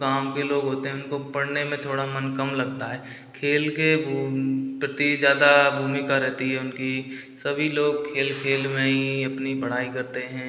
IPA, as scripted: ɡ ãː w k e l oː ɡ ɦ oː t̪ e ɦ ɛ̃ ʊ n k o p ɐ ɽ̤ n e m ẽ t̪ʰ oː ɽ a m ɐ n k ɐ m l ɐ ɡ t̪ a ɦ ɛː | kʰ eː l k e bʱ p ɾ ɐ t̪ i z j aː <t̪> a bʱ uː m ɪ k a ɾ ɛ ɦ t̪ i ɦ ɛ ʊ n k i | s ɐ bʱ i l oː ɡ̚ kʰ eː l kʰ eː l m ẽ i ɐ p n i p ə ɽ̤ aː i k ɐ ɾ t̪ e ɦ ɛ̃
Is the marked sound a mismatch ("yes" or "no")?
yes